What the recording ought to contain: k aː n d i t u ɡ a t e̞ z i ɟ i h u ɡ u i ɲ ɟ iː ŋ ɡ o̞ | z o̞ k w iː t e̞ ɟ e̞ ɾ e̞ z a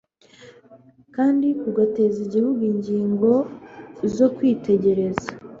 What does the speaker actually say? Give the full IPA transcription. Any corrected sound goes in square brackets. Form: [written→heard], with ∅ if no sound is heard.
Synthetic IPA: k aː n d i [t→k] u ɡ a t e̞ z i ɟ i h u ɡ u i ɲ ɟ iː ŋ ɡ o̞ | z o̞ k w iː t e̞ ɟ e̞ ɾ e̞ z a